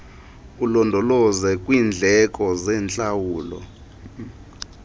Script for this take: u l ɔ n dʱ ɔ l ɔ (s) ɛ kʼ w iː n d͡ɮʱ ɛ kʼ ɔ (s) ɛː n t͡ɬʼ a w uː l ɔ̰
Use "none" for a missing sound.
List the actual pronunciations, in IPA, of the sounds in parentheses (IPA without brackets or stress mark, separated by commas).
z, z